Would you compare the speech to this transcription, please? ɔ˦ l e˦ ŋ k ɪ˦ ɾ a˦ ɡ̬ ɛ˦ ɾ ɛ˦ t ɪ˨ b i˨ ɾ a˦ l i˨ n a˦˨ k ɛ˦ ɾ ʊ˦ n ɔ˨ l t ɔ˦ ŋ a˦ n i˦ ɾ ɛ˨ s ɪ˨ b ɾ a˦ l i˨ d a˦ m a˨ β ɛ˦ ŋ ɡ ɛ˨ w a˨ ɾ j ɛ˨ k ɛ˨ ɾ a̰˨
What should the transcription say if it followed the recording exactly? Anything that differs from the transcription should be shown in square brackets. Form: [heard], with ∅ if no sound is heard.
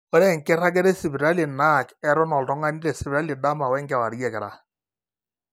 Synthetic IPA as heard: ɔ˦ [ɾ] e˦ ŋ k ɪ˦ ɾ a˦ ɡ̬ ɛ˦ ɾ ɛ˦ [s] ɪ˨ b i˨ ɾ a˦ l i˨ n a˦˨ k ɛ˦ ɾ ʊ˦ n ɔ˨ l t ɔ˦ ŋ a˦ n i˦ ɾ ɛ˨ s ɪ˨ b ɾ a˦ l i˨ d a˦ m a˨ [w] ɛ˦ ŋ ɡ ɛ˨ w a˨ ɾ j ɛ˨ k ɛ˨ ɾ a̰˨